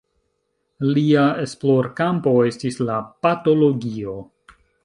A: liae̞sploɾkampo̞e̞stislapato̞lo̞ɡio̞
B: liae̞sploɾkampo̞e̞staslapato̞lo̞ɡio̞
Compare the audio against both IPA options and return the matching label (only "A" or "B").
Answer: A